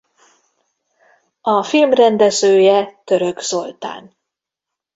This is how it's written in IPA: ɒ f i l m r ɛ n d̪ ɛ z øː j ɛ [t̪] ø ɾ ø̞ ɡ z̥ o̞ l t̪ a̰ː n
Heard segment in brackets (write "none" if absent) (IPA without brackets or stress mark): t̪